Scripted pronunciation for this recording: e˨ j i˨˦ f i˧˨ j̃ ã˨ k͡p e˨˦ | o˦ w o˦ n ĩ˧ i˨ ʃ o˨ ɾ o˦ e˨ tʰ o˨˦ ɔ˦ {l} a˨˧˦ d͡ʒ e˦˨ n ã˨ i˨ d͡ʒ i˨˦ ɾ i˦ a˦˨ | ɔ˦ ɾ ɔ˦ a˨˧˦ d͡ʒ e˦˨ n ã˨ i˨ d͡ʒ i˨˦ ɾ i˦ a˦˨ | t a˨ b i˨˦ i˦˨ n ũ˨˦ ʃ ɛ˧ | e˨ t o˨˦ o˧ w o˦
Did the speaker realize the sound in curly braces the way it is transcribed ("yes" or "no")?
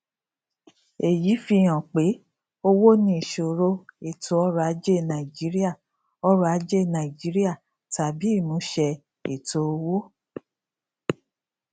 no